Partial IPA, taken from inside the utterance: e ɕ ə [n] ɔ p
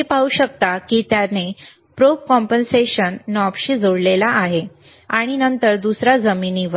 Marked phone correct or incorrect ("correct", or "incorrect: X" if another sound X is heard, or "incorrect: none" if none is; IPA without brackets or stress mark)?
incorrect: nː